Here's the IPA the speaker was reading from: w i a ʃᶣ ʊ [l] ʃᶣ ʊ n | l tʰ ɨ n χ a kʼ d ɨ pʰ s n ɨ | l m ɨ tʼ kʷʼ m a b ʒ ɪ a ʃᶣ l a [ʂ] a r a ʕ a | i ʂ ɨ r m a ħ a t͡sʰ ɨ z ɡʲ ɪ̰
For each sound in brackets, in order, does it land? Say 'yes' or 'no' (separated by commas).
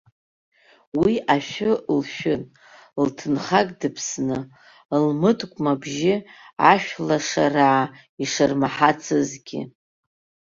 yes, yes